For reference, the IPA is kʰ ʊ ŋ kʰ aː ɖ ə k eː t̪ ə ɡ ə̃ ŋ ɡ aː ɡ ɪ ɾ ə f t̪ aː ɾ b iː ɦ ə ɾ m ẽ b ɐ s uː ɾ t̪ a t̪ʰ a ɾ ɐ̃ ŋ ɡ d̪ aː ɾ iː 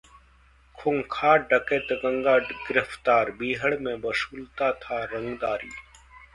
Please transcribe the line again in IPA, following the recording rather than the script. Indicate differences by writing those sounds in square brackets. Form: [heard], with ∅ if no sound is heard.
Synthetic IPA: kʰ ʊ ŋ kʰ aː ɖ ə k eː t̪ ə ɡ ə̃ ŋ ɡ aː ɡ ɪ ɾ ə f t̪ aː ɾ b iː ɦ ə [ɽ] m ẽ b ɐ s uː [l] t̪ a t̪ʰ a ɾ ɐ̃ ŋ ɡ d̪ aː ɾ iː